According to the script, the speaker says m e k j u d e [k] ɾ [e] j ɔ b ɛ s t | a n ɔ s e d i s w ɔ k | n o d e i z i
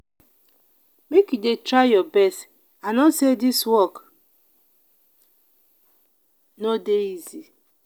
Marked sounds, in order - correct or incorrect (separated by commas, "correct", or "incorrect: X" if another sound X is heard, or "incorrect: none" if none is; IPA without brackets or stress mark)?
incorrect: t, incorrect: a